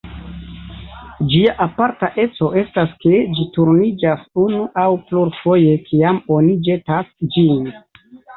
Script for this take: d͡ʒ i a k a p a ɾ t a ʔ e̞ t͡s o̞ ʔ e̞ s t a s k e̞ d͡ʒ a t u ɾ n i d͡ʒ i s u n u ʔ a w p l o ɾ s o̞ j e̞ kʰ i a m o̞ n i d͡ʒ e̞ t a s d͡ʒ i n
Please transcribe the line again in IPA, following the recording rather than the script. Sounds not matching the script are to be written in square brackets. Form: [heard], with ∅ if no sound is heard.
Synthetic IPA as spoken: d͡ʒ i a [ʔ] a p a ɾ t a ʔ e̞ t͡s o̞ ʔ e̞ s t a s k e̞ d͡ʒ [i] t u ɾ n i d͡ʒ [a] s u n u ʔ a w p l [u] ɾ [f] o̞ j e̞ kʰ i a m o̞ n i d͡ʒ e̞ t a s d͡ʒ i n